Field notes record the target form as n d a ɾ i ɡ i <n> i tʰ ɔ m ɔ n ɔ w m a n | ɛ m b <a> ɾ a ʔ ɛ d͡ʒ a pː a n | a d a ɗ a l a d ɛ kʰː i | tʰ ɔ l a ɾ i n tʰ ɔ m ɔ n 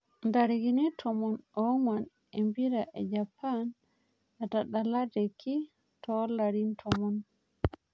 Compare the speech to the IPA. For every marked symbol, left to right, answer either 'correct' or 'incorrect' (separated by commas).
correct, incorrect